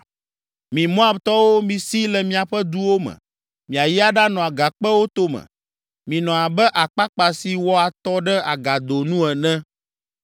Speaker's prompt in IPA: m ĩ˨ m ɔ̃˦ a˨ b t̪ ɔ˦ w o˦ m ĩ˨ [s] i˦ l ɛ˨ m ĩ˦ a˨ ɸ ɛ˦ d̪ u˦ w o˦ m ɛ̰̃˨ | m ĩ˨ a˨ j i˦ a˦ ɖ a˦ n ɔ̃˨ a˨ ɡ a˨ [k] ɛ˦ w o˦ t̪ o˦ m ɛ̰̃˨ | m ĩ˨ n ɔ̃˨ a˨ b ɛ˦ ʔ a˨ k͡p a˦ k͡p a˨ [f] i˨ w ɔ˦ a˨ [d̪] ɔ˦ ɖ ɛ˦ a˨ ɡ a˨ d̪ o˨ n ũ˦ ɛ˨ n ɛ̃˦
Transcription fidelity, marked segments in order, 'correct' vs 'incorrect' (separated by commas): correct, incorrect, incorrect, incorrect